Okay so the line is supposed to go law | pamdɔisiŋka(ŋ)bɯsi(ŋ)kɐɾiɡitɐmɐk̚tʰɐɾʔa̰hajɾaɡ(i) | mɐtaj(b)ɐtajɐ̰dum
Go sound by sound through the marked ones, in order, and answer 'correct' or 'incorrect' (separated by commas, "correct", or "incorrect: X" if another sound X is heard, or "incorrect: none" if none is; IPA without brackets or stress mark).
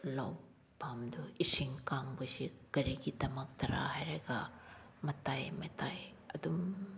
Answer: correct, incorrect: none, incorrect: a, incorrect: m